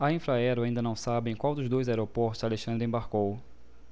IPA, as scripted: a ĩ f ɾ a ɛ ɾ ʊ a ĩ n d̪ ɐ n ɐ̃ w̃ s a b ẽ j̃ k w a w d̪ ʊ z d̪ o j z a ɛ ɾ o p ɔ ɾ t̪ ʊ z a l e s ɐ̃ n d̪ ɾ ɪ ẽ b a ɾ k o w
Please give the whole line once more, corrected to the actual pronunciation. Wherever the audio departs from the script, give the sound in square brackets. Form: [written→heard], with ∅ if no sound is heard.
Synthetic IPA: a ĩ f ɾ a ɛ ɾ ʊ a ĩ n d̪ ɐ n ɐ̃ w̃ s a b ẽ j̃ k w a w d̪ ʊ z d̪ o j z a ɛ ɾ o p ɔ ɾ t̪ ʊ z a l e [s→ʃ] ɐ̃ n d̪ ɾ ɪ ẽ b a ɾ k o w